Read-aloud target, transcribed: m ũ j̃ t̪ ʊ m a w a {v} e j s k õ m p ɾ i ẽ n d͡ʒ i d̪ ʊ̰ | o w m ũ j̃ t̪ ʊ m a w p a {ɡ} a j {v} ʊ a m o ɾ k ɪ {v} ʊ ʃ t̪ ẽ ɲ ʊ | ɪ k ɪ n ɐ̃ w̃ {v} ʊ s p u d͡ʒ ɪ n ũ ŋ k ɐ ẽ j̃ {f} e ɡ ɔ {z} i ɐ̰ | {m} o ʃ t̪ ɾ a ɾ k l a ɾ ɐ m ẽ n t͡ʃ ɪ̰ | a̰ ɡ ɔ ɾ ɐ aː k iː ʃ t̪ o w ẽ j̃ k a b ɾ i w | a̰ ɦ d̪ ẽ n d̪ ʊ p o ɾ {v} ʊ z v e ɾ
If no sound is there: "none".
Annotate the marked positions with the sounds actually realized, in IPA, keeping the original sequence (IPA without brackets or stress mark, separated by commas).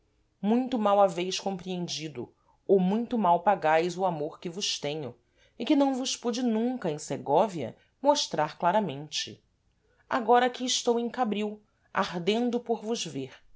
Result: v, ɡ, z, v, v, s, v, m, v